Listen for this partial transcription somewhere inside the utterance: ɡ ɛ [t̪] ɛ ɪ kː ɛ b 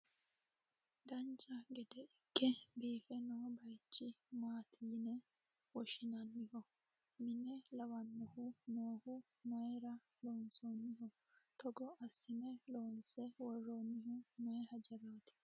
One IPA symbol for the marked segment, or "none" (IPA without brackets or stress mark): d̪